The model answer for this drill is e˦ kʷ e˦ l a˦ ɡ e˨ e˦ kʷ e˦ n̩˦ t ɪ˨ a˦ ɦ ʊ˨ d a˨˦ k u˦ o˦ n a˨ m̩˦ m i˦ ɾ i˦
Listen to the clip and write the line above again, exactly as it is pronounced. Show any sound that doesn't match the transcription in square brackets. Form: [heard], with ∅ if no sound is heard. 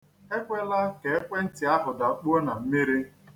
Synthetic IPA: e˦ kʷ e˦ l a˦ [k] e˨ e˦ kʷ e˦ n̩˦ t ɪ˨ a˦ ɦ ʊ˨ d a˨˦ [k͡p] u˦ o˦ n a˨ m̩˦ m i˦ ɾ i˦